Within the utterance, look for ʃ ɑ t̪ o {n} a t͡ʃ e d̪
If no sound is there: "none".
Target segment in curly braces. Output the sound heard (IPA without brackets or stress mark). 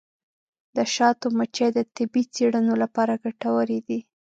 m